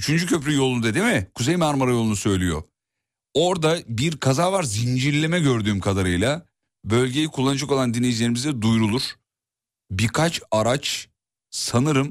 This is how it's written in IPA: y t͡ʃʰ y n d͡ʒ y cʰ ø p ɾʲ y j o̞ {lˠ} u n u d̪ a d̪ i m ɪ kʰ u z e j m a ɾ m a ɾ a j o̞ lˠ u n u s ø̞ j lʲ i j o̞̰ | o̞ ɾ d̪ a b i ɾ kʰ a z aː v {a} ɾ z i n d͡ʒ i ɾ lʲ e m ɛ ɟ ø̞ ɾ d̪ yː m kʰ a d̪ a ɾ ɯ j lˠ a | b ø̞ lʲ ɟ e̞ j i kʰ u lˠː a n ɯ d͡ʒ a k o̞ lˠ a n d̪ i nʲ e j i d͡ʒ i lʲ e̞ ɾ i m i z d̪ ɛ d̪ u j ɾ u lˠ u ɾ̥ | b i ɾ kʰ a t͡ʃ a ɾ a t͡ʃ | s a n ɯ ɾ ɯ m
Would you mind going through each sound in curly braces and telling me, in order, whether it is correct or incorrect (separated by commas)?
correct, correct